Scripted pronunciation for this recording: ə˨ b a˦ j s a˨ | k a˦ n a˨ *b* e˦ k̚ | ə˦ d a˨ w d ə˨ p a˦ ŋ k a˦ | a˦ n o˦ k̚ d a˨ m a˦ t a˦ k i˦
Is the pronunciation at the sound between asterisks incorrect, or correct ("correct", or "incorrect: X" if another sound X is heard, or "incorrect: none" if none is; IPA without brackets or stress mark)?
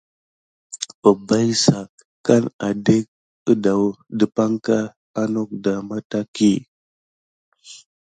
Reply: incorrect: d